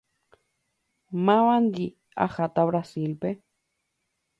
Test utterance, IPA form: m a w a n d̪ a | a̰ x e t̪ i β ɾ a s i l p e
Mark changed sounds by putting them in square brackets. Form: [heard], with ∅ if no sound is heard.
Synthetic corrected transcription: m a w a n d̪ [i] | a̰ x [a] t̪ [a] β ɾ a s i l p e